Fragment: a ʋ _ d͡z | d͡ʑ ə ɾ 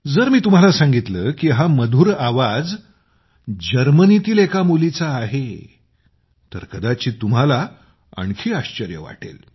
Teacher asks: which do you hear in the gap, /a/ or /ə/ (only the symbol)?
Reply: a